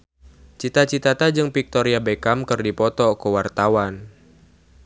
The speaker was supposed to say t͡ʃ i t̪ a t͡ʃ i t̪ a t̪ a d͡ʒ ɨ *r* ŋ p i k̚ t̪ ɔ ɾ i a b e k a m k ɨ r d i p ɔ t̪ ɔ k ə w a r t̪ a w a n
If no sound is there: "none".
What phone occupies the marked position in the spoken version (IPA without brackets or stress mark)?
none